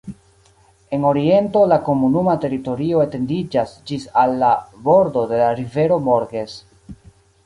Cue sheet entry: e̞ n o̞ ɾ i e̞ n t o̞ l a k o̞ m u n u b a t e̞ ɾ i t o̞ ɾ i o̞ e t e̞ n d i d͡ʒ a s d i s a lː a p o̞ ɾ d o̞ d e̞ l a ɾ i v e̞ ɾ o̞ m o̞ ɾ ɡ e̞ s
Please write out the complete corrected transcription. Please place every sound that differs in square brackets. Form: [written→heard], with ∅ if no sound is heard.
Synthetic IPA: e̞ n o̞ ɾ i e̞ n t o̞ l a k o̞ m u n u [b→m] a t e̞ ɾ i t o̞ ɾ i o̞ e t e̞ n d i d͡ʒ a s [d→d͡ʒ] i s a lː a [p→b] o̞ ɾ d o̞ d e̞ l a ɾ i v e̞ ɾ o̞ m o̞ ɾ ɡ e̞ s